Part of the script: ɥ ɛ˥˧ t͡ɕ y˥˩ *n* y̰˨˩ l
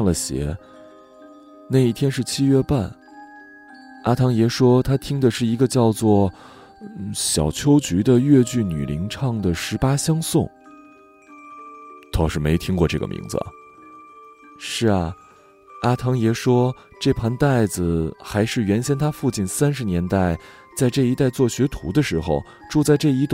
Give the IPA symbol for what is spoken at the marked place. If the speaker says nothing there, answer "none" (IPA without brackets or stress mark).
n